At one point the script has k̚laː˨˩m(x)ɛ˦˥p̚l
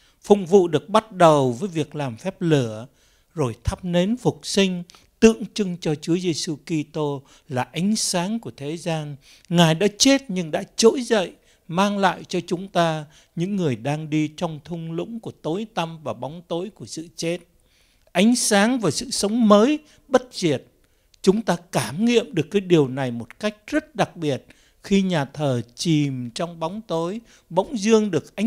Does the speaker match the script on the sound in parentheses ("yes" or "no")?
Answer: no